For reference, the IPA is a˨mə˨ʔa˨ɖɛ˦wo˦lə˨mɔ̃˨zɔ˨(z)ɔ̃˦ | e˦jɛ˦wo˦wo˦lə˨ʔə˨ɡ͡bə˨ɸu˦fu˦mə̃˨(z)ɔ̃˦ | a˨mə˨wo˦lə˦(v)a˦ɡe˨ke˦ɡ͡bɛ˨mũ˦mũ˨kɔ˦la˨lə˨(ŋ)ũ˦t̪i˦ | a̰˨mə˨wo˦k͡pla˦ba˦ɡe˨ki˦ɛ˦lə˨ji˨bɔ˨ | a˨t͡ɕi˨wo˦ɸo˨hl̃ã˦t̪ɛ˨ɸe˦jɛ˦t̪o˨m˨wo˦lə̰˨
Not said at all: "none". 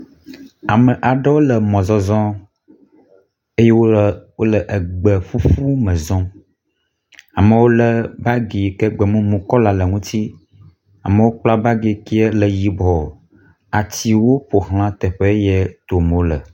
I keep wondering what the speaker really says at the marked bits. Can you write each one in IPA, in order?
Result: z, z, b, ŋ

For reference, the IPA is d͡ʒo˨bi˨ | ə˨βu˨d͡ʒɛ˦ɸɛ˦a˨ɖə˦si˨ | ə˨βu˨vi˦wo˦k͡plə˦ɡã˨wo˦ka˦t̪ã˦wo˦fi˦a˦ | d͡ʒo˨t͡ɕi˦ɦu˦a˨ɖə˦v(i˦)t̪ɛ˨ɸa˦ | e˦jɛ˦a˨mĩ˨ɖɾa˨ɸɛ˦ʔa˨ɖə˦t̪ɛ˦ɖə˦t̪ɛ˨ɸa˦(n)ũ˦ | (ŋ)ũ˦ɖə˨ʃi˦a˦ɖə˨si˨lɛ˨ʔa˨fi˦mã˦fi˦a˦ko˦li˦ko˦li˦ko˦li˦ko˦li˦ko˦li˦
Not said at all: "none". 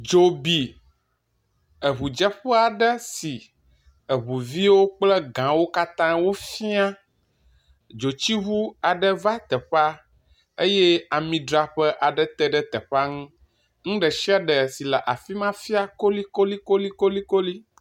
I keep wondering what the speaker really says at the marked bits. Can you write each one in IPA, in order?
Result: a˦, ŋ, ŋ

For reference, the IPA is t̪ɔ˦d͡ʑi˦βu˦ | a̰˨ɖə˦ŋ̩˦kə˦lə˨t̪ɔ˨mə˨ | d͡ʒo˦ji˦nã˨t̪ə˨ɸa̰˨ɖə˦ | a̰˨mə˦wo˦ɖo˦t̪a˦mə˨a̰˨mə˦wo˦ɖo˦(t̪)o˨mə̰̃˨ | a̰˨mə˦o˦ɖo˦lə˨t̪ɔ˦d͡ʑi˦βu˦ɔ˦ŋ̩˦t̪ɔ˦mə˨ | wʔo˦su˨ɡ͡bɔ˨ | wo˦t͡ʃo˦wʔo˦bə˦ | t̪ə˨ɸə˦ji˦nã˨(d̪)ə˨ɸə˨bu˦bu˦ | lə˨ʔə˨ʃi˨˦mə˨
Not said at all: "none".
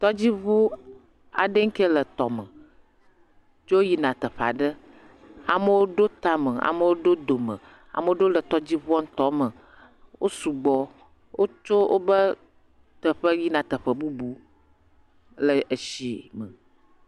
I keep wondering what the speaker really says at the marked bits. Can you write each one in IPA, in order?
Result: d̪, t̪

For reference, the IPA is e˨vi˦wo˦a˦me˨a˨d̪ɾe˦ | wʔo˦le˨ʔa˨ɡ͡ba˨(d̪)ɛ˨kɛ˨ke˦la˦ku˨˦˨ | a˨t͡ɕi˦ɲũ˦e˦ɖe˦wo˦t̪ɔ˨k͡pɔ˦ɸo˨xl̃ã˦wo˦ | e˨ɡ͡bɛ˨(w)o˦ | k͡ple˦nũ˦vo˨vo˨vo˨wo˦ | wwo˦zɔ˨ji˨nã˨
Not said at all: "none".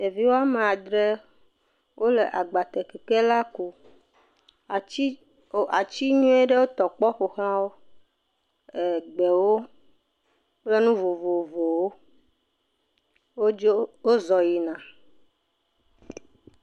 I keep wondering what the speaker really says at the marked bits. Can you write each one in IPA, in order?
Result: t̪, w

